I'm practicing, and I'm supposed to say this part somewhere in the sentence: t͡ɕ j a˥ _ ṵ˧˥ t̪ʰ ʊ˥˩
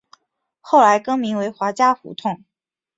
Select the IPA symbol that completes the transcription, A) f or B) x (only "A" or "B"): A